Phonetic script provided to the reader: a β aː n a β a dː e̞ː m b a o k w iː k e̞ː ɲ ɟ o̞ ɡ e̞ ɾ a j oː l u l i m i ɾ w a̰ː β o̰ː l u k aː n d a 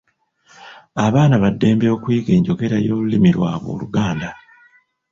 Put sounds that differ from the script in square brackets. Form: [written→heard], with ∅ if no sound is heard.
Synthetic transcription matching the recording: a β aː n a β a dː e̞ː m b [a→e] o k w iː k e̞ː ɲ ɟ o̞ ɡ e̞ ɾ a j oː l u l i m i ɾ w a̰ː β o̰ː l u [k→ɡ] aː n d a